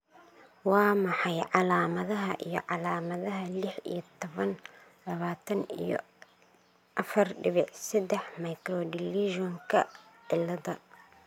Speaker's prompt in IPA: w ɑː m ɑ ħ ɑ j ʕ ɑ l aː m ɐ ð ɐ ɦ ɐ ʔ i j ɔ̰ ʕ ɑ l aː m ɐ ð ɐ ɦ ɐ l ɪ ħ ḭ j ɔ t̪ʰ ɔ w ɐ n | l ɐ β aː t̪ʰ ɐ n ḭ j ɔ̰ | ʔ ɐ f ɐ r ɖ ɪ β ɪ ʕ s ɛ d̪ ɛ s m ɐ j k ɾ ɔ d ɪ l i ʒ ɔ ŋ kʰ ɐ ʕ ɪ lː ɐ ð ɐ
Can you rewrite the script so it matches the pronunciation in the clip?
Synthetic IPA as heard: w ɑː m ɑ ħ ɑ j ʕ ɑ l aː m ɐ ð ɐ ɦ ɐ ʔ i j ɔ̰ ʕ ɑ l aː m ɐ ð ɐ ɦ ɐ l ɪ ħ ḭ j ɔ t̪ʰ ɔ β ɐ n | l ɐ β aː t̪ʰ ɐ n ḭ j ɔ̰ | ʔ ɐ f ɐ r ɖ ɪ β ɪ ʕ s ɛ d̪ ɛ ħ m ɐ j k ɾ ɔ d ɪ l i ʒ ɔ ŋ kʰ ɐ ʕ ɪ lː ɐ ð ɐ